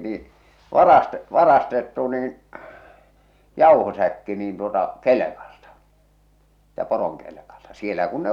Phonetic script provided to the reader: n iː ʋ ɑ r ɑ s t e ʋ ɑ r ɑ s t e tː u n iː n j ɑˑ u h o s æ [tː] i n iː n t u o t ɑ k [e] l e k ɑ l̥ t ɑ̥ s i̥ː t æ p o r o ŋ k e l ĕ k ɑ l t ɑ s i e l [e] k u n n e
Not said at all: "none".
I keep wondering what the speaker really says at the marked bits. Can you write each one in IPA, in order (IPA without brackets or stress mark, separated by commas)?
kː, e, æ